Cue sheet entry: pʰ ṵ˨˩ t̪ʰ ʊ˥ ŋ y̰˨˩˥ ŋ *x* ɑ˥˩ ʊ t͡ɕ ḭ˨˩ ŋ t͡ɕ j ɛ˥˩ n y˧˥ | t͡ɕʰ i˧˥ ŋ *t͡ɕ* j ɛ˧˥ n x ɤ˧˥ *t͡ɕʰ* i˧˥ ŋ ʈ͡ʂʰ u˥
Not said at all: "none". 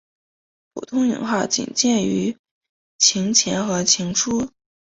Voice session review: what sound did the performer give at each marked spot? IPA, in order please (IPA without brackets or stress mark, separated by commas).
x, t͡ɕʰ, t͡ɕʰ